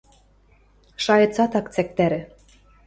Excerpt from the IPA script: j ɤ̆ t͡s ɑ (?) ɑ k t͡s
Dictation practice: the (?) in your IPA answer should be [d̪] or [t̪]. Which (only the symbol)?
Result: t̪